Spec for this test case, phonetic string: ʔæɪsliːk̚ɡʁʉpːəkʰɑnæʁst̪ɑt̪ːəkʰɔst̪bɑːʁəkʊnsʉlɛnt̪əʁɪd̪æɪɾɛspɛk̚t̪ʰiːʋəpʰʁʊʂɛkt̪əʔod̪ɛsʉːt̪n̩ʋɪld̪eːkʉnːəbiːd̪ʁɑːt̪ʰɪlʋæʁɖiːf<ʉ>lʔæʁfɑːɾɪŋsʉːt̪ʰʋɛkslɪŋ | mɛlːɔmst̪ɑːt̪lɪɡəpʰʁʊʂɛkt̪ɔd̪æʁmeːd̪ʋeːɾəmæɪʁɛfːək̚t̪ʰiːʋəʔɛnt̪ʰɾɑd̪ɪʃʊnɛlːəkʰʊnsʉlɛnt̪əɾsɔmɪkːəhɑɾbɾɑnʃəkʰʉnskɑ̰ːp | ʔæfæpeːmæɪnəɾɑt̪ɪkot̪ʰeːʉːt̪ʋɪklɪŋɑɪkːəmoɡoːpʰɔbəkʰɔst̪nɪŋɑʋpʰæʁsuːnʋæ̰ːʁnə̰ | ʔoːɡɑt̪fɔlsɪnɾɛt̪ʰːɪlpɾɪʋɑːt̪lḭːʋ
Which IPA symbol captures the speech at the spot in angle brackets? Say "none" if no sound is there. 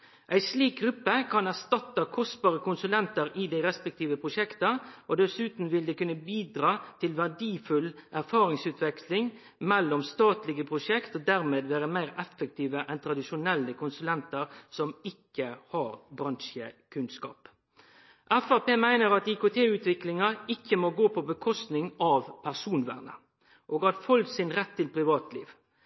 ʉ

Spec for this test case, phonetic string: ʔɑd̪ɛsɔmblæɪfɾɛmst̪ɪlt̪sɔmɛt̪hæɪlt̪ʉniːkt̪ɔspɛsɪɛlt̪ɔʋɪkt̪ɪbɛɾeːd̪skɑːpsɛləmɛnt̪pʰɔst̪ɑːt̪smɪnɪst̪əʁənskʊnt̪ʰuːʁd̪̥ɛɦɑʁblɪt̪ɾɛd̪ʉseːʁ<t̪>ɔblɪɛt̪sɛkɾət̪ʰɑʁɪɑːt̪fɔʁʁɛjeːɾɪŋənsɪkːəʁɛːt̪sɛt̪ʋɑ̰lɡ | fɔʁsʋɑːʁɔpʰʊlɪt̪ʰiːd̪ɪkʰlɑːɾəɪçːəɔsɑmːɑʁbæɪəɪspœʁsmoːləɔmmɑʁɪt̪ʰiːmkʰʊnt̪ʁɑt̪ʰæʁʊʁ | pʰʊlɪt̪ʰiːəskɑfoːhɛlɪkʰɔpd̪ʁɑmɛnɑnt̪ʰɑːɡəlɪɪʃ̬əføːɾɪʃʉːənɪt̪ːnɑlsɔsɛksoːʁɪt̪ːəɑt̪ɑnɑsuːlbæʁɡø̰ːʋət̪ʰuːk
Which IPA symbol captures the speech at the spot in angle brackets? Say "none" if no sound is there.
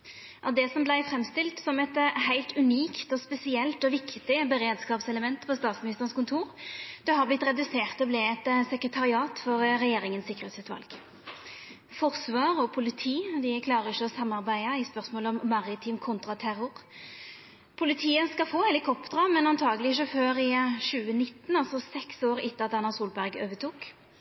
t̪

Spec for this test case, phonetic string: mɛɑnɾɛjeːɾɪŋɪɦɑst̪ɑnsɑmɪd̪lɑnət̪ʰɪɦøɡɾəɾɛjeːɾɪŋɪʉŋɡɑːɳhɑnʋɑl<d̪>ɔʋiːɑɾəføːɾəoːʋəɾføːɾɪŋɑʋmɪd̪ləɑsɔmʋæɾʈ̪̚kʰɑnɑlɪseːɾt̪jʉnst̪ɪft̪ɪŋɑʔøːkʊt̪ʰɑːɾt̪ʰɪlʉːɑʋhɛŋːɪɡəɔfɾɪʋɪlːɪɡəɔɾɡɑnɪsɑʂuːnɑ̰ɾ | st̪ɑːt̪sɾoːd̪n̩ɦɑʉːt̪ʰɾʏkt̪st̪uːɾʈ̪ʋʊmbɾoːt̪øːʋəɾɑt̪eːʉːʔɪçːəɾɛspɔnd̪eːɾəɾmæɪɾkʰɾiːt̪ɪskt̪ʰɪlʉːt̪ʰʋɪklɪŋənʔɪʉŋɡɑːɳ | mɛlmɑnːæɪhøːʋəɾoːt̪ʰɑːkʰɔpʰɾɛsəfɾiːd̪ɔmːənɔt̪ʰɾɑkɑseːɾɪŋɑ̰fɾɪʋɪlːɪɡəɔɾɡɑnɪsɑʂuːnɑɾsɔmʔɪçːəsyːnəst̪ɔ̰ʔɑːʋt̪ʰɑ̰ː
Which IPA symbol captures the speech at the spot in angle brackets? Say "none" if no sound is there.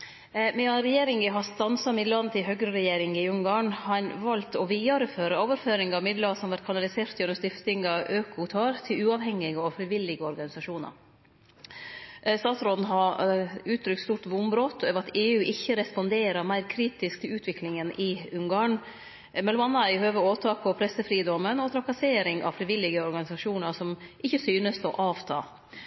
t̪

